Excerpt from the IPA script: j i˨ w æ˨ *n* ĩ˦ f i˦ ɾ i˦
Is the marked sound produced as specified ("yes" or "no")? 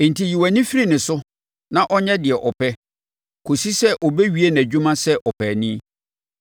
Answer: yes